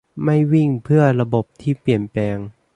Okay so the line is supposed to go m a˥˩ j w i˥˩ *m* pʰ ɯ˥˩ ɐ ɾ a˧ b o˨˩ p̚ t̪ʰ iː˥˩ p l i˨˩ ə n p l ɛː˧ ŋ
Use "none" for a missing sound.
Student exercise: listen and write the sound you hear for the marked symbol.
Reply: ŋ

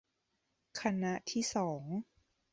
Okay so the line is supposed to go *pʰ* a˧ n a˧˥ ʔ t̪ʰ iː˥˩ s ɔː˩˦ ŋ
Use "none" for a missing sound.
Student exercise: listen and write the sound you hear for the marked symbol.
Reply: kʰ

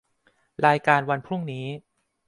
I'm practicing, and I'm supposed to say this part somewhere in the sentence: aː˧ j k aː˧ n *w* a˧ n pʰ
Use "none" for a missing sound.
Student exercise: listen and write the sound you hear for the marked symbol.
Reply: w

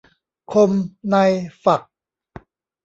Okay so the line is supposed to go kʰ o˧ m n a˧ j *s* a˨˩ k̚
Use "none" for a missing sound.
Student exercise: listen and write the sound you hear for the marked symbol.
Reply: f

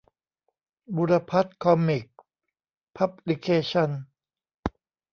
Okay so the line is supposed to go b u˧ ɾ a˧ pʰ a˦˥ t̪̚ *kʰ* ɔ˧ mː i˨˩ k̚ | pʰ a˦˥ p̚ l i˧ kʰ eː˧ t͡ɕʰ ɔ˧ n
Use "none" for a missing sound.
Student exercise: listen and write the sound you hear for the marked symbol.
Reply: kʰ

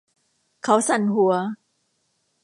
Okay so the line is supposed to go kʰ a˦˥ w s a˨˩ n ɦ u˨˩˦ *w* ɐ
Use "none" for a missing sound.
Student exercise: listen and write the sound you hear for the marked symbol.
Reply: none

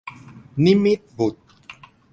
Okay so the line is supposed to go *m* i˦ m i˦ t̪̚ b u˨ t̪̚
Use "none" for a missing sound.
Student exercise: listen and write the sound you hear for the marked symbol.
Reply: n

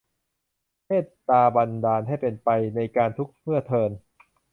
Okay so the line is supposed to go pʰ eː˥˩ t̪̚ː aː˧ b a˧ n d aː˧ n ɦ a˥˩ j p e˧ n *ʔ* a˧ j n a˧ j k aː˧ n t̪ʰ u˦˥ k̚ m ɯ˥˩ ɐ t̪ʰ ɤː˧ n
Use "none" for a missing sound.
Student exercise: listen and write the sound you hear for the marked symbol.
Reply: p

